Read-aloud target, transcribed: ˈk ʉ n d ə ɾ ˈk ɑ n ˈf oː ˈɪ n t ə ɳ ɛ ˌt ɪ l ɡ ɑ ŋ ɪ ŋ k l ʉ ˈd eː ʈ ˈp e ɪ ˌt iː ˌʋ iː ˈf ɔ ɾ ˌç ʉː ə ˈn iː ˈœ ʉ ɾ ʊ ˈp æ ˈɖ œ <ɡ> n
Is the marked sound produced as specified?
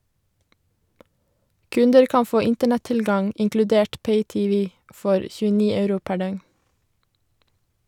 no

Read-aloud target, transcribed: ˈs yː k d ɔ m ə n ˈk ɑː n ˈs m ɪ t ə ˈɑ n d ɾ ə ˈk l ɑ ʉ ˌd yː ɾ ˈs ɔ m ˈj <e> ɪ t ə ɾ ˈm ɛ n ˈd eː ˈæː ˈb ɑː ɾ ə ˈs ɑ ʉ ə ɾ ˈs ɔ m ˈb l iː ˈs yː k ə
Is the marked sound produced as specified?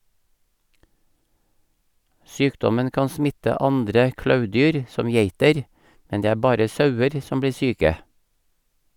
yes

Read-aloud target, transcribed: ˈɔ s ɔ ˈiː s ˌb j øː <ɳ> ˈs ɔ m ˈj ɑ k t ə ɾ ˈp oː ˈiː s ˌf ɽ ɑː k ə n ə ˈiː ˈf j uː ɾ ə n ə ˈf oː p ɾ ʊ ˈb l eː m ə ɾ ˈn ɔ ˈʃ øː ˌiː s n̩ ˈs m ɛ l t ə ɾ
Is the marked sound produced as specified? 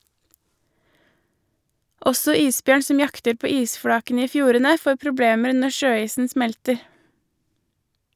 yes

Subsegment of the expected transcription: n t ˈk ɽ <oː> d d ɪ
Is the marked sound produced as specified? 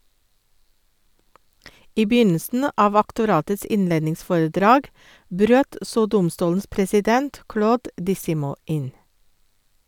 yes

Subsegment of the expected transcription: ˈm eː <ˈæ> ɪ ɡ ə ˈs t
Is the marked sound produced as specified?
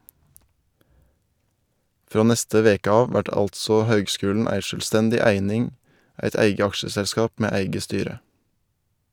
yes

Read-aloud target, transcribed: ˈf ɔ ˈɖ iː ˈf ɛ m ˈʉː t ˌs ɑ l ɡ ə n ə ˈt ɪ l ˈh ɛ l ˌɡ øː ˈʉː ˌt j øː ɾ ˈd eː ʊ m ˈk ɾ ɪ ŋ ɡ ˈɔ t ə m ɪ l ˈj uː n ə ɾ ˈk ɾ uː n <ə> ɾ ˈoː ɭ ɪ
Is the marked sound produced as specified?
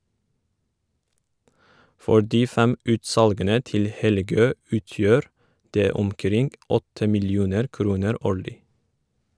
yes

